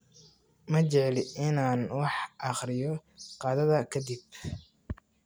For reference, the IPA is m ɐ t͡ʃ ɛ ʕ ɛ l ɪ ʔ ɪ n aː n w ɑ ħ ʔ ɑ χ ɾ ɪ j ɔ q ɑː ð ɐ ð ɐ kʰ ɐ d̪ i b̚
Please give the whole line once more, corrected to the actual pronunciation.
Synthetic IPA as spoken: m ɐ t͡ʃ ɛ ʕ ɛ l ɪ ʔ ɪ n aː n w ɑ ħ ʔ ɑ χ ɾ ɪ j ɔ q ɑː ð ɐ ð ɐ kʰ ɐ d̪ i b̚